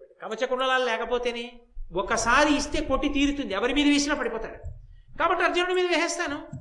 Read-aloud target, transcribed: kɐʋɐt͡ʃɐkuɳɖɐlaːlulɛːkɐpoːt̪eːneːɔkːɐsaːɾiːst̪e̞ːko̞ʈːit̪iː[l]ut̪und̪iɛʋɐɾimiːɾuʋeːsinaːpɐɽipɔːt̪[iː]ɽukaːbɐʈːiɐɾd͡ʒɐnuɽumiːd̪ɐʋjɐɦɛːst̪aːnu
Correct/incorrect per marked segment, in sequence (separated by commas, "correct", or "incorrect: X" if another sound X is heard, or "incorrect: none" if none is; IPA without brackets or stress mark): incorrect: ɾ, incorrect: aː